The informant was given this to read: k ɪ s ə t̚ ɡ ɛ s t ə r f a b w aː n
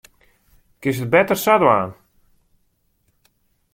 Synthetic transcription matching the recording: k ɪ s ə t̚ b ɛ t ə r s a d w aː n